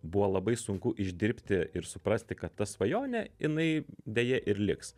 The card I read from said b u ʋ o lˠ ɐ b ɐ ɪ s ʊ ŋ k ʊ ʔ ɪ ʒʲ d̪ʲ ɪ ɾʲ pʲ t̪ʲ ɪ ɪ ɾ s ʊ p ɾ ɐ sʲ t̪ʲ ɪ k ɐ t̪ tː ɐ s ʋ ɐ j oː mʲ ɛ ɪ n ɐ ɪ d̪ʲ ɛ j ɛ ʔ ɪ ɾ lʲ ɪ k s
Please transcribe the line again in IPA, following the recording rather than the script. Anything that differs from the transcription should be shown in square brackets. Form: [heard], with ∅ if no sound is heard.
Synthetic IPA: b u ʋ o lˠ ɐ b ɐ ɪ s ʊ ŋ k ʊ ʔ ɪ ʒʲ d̪ʲ ɪ ɾʲ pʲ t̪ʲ ɪ ɪ ɾ s ʊ p ɾ ɐ sʲ t̪ʲ ɪ k ɐ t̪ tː ɐ s ʋ ɐ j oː [nʲ] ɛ ɪ n ɐ ɪ d̪ʲ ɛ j ɛ ʔ ɪ ɾ lʲ ɪ k s